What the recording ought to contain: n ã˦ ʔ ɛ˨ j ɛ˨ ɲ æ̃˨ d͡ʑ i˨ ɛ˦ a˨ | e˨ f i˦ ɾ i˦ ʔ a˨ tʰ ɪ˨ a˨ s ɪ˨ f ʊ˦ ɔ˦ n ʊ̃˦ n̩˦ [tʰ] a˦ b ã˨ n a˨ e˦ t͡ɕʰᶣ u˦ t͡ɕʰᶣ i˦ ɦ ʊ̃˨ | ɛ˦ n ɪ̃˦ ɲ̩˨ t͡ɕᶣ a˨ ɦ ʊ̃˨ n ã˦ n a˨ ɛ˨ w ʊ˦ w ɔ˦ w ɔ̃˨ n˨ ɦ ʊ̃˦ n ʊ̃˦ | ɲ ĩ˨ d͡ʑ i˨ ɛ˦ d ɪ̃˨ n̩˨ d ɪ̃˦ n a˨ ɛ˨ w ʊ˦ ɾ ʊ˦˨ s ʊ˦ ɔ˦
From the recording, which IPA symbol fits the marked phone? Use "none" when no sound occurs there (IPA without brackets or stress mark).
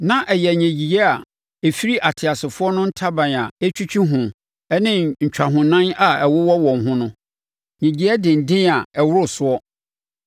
tʰ